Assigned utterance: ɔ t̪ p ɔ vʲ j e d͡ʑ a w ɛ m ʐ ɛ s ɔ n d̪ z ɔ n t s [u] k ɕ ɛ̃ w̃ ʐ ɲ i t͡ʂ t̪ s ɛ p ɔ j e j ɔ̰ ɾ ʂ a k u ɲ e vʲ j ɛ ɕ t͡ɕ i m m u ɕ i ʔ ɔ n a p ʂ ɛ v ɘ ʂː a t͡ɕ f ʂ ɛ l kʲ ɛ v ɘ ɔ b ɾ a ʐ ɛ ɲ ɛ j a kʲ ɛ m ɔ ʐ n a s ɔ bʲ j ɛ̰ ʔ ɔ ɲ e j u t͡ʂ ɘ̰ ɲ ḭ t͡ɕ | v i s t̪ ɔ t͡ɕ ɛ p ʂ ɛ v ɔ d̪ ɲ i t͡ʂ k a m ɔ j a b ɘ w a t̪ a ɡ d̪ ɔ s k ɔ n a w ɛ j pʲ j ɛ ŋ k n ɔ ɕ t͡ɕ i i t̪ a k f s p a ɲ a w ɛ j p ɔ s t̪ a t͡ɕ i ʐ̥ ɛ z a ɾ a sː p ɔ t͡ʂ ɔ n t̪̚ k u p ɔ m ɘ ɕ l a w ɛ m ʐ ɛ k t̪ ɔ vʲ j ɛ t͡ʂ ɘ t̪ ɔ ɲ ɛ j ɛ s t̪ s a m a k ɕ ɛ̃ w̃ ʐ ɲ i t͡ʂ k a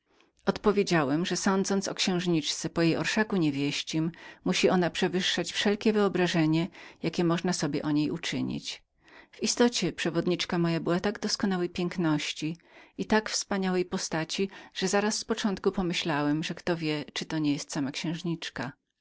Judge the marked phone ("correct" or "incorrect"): incorrect